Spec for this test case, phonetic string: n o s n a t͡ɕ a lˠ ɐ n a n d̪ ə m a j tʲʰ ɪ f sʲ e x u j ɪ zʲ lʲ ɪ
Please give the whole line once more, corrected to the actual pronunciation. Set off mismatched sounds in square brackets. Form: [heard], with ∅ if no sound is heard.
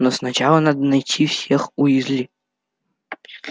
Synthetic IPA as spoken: n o s n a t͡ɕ a lˠ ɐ n a [∅] d̪ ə [n] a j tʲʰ [i] f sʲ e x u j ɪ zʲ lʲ [i]